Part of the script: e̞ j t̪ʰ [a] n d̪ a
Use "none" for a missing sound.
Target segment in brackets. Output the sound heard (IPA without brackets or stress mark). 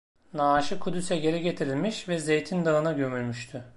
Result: i